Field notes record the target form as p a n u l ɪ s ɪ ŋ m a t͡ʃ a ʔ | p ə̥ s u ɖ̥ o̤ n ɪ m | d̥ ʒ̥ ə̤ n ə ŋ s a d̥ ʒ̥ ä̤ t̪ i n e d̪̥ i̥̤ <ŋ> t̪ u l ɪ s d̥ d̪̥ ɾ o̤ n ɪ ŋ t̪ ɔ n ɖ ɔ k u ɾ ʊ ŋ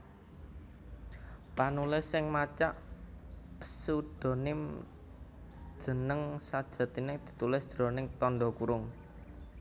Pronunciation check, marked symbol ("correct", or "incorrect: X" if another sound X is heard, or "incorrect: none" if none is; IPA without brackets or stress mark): incorrect: none